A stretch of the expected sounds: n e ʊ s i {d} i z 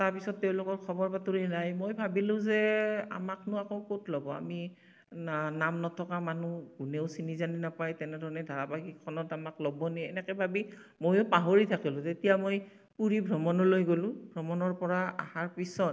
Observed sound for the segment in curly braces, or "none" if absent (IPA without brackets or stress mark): n